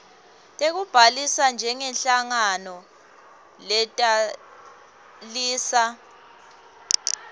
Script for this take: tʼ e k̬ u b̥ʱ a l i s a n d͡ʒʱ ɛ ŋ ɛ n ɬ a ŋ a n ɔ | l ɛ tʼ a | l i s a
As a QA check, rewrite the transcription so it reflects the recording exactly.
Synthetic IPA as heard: tʼ e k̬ u b̥ʱ a l i s a n d͡ʒʱ ɛ ŋ ɛ n ɬ a ŋ a n ɔ | l ɛ tʼ a | l iː s a